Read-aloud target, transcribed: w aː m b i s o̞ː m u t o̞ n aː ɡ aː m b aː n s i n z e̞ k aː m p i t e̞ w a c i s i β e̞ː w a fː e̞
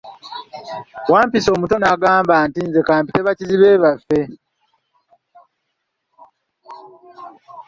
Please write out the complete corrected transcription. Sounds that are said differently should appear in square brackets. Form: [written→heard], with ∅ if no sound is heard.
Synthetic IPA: w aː m [b→p] i s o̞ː m u t o̞ n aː ɡ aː m b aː n [s→t] i n z e̞ k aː m p i t e̞ [w→β] a c i [s→z] i β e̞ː [w→β] a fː e̞